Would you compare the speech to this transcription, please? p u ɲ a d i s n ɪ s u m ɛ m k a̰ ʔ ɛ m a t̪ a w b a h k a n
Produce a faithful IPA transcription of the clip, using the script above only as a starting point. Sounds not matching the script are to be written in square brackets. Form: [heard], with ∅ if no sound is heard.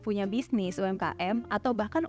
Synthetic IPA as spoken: p u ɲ a [b] i s n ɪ s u [∅] ɛ m k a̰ ʔ ɛ m a t̪ a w b a h k a n